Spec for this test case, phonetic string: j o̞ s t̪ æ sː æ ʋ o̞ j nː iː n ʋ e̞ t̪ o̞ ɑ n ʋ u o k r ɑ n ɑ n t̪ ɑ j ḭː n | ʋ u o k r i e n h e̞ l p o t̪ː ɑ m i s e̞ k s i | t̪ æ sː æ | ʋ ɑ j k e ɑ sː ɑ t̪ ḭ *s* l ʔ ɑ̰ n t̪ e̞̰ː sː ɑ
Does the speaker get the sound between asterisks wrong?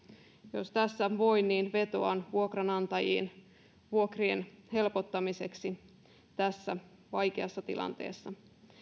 yes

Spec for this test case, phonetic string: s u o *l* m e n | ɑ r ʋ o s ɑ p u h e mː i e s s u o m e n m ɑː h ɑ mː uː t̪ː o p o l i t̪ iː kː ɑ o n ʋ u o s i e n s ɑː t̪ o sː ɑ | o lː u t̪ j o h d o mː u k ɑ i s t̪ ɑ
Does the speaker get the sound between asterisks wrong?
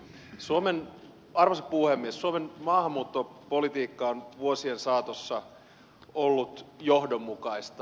yes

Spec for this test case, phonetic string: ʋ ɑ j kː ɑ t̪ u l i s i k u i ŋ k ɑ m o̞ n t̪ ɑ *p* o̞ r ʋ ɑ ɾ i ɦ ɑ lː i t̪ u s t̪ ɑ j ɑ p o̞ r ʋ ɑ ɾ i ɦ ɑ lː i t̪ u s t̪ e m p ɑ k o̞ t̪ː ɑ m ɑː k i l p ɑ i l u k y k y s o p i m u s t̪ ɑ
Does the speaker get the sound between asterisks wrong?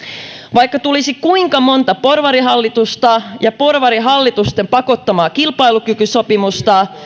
no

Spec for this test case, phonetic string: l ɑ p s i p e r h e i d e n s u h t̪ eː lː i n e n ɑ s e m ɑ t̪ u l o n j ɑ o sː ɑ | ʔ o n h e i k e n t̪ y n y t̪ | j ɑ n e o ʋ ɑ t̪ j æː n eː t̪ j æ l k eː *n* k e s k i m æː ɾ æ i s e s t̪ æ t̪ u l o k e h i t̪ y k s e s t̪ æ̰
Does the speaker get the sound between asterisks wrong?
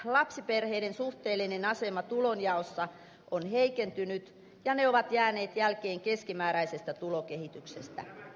yes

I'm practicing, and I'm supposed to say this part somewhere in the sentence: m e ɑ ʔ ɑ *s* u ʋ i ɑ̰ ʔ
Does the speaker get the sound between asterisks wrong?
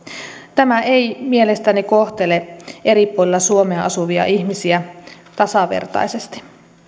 no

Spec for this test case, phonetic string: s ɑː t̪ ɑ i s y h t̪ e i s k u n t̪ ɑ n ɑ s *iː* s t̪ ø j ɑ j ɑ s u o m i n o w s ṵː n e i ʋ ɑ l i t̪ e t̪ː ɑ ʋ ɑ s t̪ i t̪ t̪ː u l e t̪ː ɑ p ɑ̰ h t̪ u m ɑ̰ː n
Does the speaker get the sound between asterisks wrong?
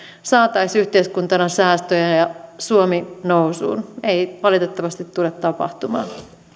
yes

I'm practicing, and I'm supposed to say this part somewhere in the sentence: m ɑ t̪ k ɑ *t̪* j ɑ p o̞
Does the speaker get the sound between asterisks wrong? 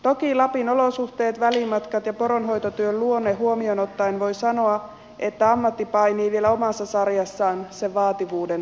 no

